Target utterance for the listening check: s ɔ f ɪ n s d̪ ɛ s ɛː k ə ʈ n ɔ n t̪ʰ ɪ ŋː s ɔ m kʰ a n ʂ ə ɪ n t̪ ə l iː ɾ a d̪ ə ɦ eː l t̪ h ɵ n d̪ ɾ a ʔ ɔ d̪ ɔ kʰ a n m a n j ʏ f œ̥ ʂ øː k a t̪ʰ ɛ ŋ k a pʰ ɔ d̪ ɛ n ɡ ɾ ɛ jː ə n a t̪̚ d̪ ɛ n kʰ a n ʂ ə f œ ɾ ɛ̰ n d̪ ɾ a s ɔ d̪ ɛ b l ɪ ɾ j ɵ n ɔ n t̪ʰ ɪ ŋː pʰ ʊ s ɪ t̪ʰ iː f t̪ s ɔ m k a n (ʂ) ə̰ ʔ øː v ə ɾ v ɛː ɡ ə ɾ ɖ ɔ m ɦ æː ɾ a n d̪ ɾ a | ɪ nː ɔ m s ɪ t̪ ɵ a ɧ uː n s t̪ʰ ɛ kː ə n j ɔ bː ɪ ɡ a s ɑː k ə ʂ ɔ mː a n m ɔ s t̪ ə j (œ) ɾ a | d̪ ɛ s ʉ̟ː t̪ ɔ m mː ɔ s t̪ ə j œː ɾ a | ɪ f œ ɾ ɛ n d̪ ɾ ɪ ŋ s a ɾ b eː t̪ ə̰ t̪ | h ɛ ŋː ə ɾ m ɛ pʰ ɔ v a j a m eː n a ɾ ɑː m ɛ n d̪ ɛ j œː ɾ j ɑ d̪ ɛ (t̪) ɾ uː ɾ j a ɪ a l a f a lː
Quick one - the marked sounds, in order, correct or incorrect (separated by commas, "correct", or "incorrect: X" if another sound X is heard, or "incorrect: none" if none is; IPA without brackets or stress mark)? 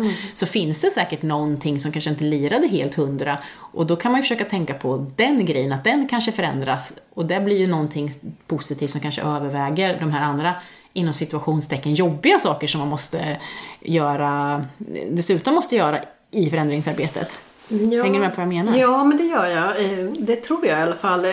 correct, incorrect: œː, incorrect: t̪ʰ